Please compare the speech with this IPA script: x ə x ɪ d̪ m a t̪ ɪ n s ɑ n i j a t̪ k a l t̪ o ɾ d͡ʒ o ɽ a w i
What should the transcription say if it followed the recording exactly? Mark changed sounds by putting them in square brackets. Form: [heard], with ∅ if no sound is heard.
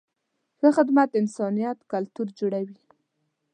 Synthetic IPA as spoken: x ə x ɪ d̪ m a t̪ ɪ n s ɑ n i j a t̪ k a l t̪ [u] ɾ d͡ʒ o ɽ a w i